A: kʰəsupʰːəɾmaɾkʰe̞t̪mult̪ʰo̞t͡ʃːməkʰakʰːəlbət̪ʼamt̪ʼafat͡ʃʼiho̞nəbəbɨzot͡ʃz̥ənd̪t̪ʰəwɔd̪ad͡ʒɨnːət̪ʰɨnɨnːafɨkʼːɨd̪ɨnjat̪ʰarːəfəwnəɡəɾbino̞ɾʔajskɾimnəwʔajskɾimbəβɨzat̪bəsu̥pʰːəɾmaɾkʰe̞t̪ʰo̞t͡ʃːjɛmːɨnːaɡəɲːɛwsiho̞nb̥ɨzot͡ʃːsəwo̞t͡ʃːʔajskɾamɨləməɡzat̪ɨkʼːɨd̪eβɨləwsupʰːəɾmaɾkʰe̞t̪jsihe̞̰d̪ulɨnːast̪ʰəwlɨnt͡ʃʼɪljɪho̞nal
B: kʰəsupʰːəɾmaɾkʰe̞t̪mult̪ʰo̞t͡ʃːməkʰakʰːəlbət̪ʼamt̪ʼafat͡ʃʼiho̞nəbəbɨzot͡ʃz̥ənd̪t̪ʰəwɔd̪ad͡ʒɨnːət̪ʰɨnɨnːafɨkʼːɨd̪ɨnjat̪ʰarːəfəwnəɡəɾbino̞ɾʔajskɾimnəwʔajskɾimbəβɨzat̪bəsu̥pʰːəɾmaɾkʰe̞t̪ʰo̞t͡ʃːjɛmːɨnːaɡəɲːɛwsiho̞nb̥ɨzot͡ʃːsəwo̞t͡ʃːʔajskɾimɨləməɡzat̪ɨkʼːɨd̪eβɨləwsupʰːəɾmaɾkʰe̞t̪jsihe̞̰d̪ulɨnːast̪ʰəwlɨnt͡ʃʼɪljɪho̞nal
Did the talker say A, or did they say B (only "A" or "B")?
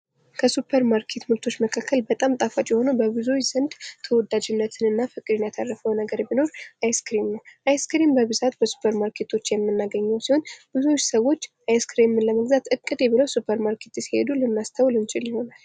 B